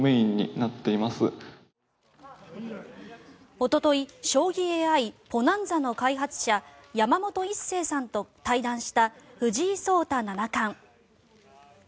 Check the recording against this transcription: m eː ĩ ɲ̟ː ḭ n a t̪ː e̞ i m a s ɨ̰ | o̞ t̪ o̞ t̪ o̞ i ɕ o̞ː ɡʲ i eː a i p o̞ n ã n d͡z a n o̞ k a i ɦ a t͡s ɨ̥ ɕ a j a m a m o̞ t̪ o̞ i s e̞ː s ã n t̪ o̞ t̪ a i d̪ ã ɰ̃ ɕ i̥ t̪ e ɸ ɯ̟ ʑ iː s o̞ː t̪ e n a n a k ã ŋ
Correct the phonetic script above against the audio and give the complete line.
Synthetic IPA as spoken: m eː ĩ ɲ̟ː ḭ n a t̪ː e̞ i m a s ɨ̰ | o̞ t̪ o̞ t̪ o̞ i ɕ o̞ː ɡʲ i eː a i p o̞ n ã n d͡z a n o̞ k a i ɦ a t͡s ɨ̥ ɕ a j a m a m o̞ t̪ o̞ i s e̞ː s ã n t̪ o̞ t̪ a i d̪ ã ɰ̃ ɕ i̥ t̪ a ɸ ɯ̟ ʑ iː s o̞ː t̪ a n a n a k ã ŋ